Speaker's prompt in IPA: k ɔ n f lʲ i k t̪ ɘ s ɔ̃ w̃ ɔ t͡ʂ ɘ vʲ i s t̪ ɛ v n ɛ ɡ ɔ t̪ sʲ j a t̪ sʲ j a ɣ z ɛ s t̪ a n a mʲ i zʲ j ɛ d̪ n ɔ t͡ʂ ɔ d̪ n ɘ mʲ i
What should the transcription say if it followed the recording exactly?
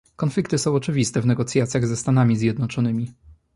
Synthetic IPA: k ɔ n f lʲ i k t̪ ɘ s ɔ̃ w̃ ɔ t͡ʂ ɘ vʲ i s t̪ ɛ v n ɛ ɡ ɔ t̪ sʲ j a t̪ sʲ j a ɣ z ɛ s t̪ a n a mʲ i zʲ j ɛ d̪ n ɔ t͡ʂ ɔ n ɘ mʲ i

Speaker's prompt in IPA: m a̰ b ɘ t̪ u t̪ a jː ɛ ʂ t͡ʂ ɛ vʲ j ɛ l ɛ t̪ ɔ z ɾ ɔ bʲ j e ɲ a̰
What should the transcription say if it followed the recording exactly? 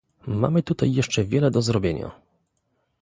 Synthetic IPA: m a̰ m ɘ t̪ u t̪ a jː ɛ ʂ t͡ʂ ɛ vʲ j ɛ l ɛ d̪ ɔ z ɾ ɔ bʲ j e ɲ a̰

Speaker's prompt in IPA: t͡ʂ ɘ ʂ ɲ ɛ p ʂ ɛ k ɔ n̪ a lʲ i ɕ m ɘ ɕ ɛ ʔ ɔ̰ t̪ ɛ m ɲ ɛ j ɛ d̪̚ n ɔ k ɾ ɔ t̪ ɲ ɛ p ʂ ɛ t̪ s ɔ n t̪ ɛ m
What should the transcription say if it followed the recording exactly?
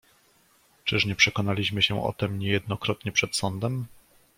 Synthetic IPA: t͡ʂ ɘ ʂ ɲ ɛ p ʂ ɛ k ɔ n̪ a lʲ i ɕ m ɘ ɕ ɛ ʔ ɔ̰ t̪ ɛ m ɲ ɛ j ɛ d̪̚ n ɔ k ɾ ɔ t̪ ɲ ɛ p ʂ ɛ t̪ s ɔ n d̪ ɛ m

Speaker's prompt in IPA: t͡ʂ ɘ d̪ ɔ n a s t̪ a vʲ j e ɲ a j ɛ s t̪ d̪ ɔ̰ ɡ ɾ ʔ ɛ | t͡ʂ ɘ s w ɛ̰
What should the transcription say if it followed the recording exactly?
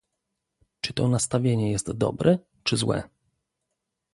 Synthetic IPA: t͡ʂ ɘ t̪ ɔ n a s t̪ a vʲ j e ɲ ɛ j ɛ s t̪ d̪ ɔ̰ b ɾ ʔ ɛ | t͡ʂ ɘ z w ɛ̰

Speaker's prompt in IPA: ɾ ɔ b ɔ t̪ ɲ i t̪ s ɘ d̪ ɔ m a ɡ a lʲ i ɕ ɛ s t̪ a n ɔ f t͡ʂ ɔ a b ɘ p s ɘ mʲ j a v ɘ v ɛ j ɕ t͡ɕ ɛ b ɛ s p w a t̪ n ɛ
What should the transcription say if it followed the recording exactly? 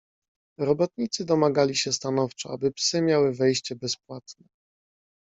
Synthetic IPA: ɾ ɔ b ɔ t̪ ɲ i t̪ s ɘ d̪ ɔ m a ɡ a lʲ i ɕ ɛ s t̪ a n ɔ f t͡ʂ ɔ a b ɘ p s ɘ mʲ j a w ɘ v ɛ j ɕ t͡ɕ ɛ b ɛ s p w a t̪ n ɛ

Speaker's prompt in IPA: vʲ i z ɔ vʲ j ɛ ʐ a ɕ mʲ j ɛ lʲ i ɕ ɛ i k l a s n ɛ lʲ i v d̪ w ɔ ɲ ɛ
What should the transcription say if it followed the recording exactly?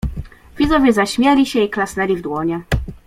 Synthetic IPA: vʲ i z ɔ vʲ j ɛ z a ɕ mʲ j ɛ lʲ i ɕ ɛ i k l a s n ɛ lʲ i v d̪ w ɔ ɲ ɛ

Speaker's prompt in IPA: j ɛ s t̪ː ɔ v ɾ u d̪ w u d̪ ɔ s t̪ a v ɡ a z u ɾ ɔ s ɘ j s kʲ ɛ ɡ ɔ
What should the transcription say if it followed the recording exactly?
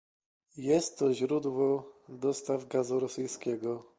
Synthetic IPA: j ɛ s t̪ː ɔ ʑ ɾ u d̪ w ɔ d̪ ɔ s t̪ a v ɡ a z u ɾ ɔ s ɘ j s kʲ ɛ ɡ ɔ

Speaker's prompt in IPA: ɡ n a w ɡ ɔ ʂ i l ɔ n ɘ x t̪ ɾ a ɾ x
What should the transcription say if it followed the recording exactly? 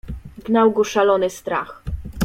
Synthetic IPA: ɡ n a w ɡ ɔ ʂ a l ɔ n ɘ s t̪ ɾ a x

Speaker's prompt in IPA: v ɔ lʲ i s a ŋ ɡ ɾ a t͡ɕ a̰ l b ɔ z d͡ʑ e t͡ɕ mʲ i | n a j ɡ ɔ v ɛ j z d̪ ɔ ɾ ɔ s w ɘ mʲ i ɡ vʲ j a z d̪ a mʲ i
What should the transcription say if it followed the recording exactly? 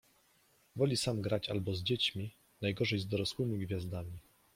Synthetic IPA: v ɔ lʲ i s a m ɡ ɾ a t͡ɕ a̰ l b ɔ z d͡ʑ e t͡ɕ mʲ i | n a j ɡ ɔ ʐ ɛ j z d̪ ɔ ɾ ɔ s w ɘ mʲ i ɡ vʲ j a z d̪ a mʲ i

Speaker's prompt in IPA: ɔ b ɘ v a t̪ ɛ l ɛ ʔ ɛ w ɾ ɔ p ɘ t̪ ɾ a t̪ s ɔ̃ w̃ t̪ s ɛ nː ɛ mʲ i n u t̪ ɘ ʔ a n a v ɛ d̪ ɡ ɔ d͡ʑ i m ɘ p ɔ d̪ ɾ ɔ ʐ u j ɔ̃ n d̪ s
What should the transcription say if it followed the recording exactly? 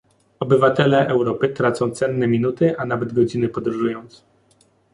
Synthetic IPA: ɔ b ɘ v a t̪ ɛ l ɛ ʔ ɛ w ɾ ɔ p ɘ t̪ ɾ a t̪ s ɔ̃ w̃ t̪ s ɛ nː ɛ mʲ i n u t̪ ɘ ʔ a n a v ɛ d̪ ɡ ɔ d͡ʑ i n ɘ p ɔ d̪ ɾ u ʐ u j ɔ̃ n t̪ s

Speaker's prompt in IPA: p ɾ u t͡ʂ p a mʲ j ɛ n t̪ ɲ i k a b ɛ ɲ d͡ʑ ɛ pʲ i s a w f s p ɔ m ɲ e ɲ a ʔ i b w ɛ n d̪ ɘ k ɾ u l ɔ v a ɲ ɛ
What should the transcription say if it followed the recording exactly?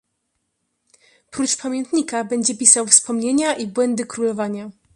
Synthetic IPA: p ɾ u t͡ʂ p a mʲ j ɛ n t̪ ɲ i k a b ɛ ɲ d͡ʑ ɛ pʲ i s a w f s p ɔ m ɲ e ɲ a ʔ i b w ɛ n d̪ ɘ k ɾ u l ɔ v a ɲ a

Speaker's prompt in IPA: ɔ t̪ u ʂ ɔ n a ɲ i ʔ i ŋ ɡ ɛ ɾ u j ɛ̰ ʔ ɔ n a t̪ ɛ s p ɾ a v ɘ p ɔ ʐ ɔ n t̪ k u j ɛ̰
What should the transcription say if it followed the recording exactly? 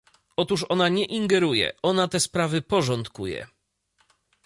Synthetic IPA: ɔ t̪ u ʂ ɔ n a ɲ ɛ ʔ i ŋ ɡ ɛ ɾ u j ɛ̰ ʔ ɔ n a t̪ ɛ s p ɾ a v ɘ p ɔ ʐ ɔ n t̪ k u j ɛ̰

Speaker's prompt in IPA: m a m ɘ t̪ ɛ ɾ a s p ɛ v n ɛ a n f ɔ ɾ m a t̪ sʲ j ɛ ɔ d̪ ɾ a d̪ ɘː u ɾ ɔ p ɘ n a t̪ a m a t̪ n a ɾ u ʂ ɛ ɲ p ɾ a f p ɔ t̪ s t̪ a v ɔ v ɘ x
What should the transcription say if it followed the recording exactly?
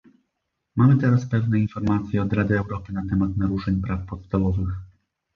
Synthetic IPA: m a m ɘ t̪ ɛ ɾ a s p ɛ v n ɛ i n f ɔ ɾ m a t̪ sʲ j ɛ ɔ d̪ ɾ a d̪ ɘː w ɾ ɔ p ɘ n a t̪ ɛ m a t̪ n a ɾ u ʂ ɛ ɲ p ɾ a f p ɔ t̪ s t̪ a v ɔ v ɘ x

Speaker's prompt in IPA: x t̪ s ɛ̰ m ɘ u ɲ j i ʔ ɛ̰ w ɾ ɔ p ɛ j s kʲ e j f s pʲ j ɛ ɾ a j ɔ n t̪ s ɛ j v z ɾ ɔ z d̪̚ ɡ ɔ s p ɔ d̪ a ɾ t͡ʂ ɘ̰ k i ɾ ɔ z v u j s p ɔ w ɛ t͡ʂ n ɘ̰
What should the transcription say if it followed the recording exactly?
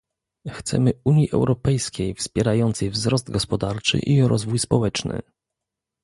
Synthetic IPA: x t̪ s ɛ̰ m ɘ u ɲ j i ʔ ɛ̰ w ɾ ɔ p ɛ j s kʲ e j f s pʲ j ɛ ɾ a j ɔ n t̪ s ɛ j v z ɾ ɔ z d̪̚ ɡ ɔ s p ɔ d̪ a ɾ t͡ʂ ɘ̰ ʔ i ɾ ɔ z v u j s p ɔ w ɛ t͡ʂ n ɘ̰

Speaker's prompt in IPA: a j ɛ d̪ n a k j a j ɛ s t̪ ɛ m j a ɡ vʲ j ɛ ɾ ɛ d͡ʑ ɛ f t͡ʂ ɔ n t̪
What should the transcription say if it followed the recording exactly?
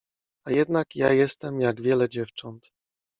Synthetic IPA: a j ɛ d̪ n a k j a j ɛ s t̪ ɛ m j a ɡ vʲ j ɛ l ɛ d͡ʑ ɛ f t͡ʂ ɔ n t̪

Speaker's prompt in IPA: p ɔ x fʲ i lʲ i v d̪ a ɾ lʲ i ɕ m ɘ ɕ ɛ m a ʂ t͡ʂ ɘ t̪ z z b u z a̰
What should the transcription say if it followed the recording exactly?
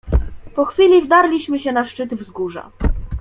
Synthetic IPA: p ɔ x fʲ i lʲ i v d̪ a ɾ lʲ i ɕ m ɘ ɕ ɛ n a ʂ t͡ʂ ɘ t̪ v z ɡ u ʐ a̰

